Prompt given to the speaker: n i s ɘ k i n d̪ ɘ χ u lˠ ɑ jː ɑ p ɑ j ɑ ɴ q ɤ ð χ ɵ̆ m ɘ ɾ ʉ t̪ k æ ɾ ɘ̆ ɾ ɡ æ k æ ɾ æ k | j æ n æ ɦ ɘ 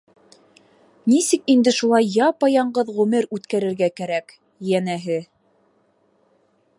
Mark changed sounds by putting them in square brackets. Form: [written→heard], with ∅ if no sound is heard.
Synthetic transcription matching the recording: n i s ɘ k i n d̪ ɘ [χ→ʃ] u lˠ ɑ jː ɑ p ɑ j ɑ ɴ [q→ɢ] ɤ ð [χ→ʁ] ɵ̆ m ɘ ɾ ʉ t̪ k æ ɾ ɘ̆ ɾ ɡ æ k æ ɾ æ k | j æ n æ ɦ ɘ

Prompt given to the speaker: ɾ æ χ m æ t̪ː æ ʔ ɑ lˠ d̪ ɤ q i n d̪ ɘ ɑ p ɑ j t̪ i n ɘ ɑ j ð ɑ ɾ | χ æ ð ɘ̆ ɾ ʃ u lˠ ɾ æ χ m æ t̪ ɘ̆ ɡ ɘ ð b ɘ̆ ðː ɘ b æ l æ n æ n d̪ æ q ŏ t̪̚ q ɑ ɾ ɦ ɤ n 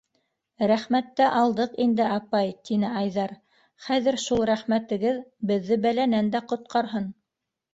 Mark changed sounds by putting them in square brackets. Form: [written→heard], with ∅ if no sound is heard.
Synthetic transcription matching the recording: ɾ æ χ m æ t̪ː æ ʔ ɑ lˠ d̪ ɤ q i n d̪ ɘ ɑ p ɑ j t̪ i n ɘ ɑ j ð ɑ ɾ | χ æ ð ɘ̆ ɾ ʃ u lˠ ɾ æ χ m æ t̪ ɘ̆ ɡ ɘ ð b ɘ̆ ðː ɘ b æ l æ n æ n d̪ æ q ŏ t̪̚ q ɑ ɾ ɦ ɤ n

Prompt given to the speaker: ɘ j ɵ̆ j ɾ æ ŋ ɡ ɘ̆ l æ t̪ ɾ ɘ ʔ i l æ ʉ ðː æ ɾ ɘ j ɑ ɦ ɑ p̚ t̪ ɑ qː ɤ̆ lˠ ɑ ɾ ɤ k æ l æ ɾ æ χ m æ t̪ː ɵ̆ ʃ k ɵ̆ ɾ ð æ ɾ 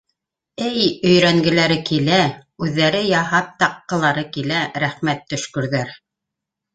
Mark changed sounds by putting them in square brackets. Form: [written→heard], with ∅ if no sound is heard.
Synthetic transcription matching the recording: ɘ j ɵ̆ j ɾ æ ŋ ɡ ɘ̆ l æ [t̪→∅] ɾ ɘ [ʔ→k] i l æ ʉ ðː æ ɾ ɘ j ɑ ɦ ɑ p̚ t̪ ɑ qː ɤ̆ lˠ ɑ ɾ ɤ k [æ→i] l æ ɾ æ χ m æ t̪ː ɵ̆ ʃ k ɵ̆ ɾ ð æ ɾ

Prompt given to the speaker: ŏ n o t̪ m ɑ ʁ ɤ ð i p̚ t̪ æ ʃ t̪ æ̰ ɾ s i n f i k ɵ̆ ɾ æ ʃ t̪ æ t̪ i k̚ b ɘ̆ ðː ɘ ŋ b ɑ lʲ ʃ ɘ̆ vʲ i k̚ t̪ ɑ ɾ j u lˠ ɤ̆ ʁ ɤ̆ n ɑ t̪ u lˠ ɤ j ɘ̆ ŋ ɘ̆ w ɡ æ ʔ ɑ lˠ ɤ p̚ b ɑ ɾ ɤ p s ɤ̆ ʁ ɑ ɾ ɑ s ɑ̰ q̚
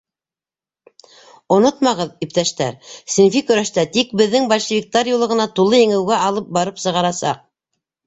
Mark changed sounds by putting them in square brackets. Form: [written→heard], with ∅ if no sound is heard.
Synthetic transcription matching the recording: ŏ n o t̪ m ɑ ʁ ɤ ð i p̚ t̪ æ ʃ t̪ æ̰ ɾ s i n f i k ɵ̆ ɾ æ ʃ t̪ æ t̪ i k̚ b ɘ̆ ðː ɘ ŋ b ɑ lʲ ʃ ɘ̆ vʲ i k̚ t̪ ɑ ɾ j u lˠ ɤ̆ ʁ ɤ̆ n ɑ t̪ u lˠ ɤ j ɘ̆ ŋ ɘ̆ w ɡ æ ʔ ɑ lˠ ɤ p̚ b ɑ ɾ ɤ p s ɤ̆ ʁ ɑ ɾ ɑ s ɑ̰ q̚

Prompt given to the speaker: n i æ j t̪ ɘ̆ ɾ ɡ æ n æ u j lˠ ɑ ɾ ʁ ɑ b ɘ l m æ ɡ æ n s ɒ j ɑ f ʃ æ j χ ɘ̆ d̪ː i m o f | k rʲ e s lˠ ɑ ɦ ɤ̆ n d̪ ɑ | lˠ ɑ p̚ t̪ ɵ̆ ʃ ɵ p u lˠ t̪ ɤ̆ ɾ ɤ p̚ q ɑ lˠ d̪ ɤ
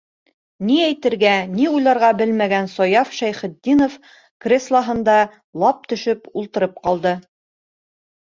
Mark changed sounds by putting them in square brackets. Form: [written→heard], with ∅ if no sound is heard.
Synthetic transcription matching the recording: n i æ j t̪ ɘ̆ ɾ ɡ æ n [æ→i] u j lˠ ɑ ɾ ʁ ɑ b ɘ l m æ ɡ æ n s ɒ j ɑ f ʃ æ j χ ɘ̆ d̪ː i [m→n] o f | k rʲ e s lˠ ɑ ɦ ɤ̆ n d̪ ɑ | lˠ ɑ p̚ t̪ ɵ̆ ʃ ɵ p u lˠ t̪ ɤ̆ ɾ ɤ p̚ q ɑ lˠ d̪ ɤ

